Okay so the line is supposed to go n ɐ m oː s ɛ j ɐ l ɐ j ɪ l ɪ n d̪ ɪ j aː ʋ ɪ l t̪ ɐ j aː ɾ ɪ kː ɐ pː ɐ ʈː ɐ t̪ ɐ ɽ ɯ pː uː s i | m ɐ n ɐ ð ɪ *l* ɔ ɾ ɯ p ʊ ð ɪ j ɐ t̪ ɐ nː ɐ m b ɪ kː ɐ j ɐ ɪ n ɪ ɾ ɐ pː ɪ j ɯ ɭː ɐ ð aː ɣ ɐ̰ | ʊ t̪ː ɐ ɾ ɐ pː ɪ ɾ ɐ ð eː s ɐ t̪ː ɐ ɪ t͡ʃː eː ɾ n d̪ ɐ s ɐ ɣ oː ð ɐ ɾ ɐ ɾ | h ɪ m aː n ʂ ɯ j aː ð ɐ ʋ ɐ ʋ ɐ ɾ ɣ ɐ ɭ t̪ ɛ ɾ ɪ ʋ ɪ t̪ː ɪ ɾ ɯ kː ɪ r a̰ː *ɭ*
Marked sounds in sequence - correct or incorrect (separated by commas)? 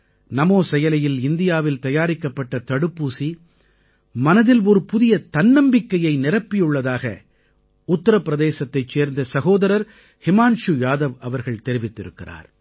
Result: correct, incorrect